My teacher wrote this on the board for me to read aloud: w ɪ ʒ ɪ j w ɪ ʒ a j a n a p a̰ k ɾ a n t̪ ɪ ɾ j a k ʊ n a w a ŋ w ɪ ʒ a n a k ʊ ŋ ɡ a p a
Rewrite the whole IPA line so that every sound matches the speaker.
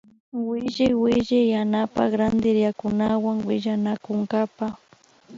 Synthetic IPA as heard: w ɪ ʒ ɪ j w ɪ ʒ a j a n a p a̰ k ɾ a n d̪ ɪ ɾ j a k ʊ n a w a ŋ w ɪ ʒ a n a k ʊ ŋ ɡ a p a